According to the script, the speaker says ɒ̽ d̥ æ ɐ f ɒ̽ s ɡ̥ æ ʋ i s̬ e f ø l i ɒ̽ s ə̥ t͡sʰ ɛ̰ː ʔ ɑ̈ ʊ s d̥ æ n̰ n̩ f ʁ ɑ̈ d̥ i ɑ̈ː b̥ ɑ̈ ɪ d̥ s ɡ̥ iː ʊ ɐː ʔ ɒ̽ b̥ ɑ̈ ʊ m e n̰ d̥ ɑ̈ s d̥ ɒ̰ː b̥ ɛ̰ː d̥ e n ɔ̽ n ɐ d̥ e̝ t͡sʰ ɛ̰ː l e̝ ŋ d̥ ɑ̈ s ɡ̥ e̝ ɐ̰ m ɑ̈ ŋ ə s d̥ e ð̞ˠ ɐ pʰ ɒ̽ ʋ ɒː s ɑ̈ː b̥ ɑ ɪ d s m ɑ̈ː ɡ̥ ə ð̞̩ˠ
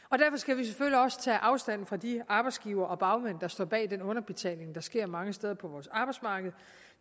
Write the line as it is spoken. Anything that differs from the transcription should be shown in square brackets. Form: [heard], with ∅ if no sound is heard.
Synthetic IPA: ɒ̽ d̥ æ ɐ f ɒ̽ s ɡ̥ æ ʋ i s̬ e f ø l i ɒ̽ s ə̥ t͡sʰ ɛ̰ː ʔ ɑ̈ ʊ s d̥ æ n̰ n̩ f ʁ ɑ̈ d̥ i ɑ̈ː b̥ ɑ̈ ɪ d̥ s ɡ̥ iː ʊ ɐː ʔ ɒ̽ b̥ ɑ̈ ʊ m e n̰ d̥ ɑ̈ s d̥ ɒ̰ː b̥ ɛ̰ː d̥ e n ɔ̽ n ɐ [b̥] e̝ t͡sʰ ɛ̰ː l e̝ ŋ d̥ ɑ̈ s ɡ̥ e̝ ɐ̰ m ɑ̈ ŋ ə s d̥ e ð̞ˠ ɐ pʰ ɒ̽ ʋ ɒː s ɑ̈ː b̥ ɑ ɪ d s m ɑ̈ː ɡ̥ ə ð̞̩ˠ